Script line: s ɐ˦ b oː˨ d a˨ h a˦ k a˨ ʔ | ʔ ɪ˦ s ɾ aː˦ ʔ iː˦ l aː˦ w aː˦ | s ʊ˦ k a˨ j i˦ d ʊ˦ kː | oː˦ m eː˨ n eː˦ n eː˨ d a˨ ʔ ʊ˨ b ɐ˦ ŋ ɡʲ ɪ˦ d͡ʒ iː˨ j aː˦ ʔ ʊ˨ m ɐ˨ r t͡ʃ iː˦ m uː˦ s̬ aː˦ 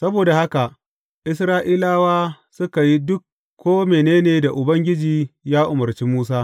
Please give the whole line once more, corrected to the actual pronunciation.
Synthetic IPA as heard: s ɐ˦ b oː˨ d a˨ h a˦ k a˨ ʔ | ʔ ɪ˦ s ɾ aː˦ ʔ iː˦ l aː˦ w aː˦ | s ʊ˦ k a˨ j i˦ d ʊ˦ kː | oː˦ m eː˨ n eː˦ n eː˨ d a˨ ʔ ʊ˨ b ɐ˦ ŋ ɡʲ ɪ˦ d͡ʒ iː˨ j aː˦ ʔ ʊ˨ m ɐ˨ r t͡ʃ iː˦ m uː˦ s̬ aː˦